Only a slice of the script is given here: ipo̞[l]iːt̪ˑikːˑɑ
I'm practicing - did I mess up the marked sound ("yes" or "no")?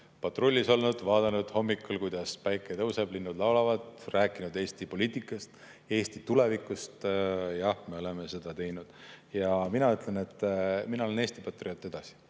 no